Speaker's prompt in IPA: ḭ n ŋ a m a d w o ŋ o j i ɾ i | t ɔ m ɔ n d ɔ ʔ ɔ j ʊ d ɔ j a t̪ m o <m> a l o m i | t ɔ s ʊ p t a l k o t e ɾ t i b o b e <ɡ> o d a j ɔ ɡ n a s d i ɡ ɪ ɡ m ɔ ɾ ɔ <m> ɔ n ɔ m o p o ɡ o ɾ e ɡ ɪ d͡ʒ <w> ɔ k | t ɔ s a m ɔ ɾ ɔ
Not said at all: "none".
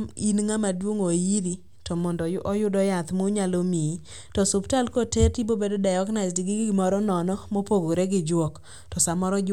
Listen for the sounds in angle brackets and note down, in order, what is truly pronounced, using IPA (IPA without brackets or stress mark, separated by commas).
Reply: ɲ, d, n, w